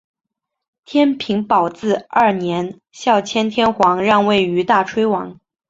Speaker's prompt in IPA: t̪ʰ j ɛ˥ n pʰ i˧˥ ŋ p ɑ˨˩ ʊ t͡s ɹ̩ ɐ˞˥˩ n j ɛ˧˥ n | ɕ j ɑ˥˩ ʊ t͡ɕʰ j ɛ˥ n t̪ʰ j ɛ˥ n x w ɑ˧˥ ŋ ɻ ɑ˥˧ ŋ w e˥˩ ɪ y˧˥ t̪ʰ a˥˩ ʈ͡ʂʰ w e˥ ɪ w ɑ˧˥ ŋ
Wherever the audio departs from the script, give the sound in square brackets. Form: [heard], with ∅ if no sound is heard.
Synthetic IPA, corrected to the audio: t̪ʰ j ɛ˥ n pʰ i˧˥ ŋ p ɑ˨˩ ʊ t͡s ɹ̩ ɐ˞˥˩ n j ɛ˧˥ n | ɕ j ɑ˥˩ ʊ t͡ɕʰ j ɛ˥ n t̪ʰ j ɛ˥ n x w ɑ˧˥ ŋ ɻ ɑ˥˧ ŋ w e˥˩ ɪ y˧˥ [t̪] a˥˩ ʈ͡ʂʰ w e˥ ɪ w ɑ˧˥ ŋ